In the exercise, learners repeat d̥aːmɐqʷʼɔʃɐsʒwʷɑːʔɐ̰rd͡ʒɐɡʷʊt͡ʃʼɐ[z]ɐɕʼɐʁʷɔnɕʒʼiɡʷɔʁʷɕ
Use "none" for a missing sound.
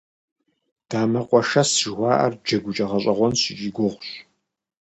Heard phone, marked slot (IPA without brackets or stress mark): ʁ